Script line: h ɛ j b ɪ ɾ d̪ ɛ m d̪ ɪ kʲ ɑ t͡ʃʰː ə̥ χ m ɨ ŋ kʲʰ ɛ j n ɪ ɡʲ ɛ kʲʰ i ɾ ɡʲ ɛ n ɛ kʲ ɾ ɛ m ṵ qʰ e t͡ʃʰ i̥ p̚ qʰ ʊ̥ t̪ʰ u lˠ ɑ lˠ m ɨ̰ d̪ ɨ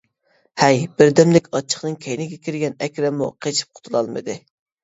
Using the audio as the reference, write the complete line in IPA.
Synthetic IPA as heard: h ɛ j b ɪ ɾ d̪ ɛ m d̪ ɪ kʲ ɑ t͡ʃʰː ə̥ χ n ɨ ŋ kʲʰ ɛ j n ɪ ɡʲ ɛ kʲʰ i ɾ ɡʲ ɛ n ɛ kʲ ɾ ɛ m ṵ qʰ e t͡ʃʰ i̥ p̚ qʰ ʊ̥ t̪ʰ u lˠ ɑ lˠ m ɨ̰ d̪ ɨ